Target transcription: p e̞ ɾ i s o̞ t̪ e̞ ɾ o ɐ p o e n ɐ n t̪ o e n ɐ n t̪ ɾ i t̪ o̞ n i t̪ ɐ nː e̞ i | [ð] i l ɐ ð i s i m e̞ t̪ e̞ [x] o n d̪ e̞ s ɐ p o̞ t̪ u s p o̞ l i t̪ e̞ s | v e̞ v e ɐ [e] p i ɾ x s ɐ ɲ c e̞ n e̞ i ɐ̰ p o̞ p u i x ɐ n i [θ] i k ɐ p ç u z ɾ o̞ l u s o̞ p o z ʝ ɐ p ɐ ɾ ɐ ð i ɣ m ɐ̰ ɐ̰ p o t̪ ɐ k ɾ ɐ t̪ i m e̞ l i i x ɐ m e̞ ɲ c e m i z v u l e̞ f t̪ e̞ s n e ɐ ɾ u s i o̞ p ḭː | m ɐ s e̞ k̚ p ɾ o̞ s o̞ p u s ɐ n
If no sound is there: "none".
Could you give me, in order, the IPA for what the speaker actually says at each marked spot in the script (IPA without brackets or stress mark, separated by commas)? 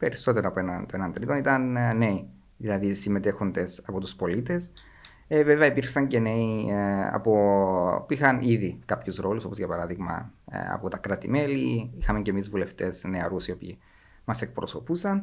ð, x, i, ð